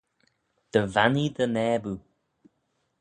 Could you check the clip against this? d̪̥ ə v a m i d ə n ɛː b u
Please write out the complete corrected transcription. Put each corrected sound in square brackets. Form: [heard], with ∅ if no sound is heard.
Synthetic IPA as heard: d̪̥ ə v a [n] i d ə n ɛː b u